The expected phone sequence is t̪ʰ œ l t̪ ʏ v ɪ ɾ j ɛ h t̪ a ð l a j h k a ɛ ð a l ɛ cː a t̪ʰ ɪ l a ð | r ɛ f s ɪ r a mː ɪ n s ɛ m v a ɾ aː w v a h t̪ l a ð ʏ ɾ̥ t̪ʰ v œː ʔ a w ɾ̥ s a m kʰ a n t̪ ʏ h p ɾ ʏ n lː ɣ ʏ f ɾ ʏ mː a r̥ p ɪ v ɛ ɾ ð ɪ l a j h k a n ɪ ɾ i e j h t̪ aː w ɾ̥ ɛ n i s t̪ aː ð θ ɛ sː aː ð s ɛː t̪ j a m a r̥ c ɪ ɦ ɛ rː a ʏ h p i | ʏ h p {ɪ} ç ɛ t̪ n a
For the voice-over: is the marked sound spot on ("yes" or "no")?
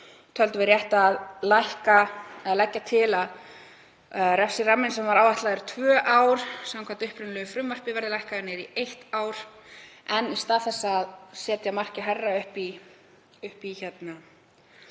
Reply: no